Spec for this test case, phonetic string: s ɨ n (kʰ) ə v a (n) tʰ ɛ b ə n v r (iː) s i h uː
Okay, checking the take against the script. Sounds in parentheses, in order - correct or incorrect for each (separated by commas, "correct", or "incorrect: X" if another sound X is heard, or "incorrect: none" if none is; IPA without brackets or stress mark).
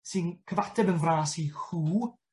correct, incorrect: none, incorrect: aː